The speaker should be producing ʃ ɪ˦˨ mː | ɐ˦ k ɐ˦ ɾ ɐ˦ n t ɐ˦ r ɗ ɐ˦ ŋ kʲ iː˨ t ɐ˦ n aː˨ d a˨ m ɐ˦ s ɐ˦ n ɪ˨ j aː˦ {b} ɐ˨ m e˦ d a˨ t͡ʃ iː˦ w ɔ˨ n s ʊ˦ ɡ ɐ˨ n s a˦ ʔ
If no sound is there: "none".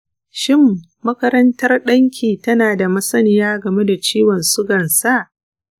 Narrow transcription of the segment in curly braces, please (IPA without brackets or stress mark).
ɡ